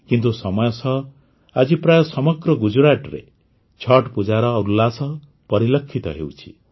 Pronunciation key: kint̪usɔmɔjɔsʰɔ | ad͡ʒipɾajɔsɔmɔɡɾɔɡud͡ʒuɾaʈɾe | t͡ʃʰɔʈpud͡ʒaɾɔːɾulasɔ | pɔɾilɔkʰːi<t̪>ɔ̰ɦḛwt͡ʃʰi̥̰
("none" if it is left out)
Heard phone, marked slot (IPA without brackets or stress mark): t̪